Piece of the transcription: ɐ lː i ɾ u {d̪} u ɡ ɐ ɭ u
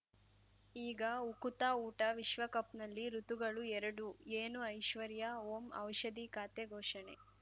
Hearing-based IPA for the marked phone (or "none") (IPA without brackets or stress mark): t̪